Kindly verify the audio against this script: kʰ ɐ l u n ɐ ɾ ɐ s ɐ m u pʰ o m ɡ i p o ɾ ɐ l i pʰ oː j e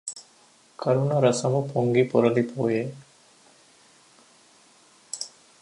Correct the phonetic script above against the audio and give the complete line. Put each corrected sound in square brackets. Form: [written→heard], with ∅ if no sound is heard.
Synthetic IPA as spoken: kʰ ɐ [l→ɾ] u n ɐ ɾ ɐ s ɐ m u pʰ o [m→ŋ] ɡ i p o ɾ ɐ l i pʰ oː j e